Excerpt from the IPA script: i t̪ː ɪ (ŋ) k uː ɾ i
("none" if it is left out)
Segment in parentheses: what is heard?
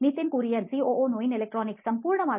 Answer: n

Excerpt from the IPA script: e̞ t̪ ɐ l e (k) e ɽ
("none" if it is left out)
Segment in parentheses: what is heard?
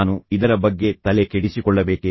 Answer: k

